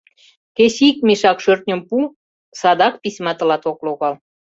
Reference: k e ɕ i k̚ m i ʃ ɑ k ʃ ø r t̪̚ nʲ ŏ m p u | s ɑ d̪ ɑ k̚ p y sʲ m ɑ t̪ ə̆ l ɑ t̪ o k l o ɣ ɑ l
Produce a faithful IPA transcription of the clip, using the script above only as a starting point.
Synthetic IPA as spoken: k e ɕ i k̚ m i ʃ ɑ k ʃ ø r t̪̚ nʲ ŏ m p u | s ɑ d̪ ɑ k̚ p i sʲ m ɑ t̪ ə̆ l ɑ t̪ o k l o ɣ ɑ l

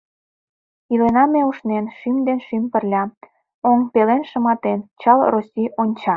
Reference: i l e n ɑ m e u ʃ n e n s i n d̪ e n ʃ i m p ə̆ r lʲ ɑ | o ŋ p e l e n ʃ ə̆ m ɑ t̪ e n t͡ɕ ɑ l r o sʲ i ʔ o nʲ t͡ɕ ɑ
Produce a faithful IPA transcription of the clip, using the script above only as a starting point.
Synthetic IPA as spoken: i l e n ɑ m e u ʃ n e n ʃ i m d̪ e n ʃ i m p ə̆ r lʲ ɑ | o ŋ p e l e n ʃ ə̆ m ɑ t̪ e n t͡ɕ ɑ l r o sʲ i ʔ o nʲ t͡ɕ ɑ

